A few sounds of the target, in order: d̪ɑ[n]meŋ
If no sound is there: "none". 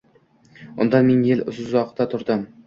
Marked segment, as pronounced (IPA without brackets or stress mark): n